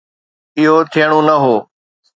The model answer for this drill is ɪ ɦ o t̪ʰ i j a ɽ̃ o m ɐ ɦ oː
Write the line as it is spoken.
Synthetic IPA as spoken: ɪ ɦ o t̪ʰ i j ə ɽ̃ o n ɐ ɦ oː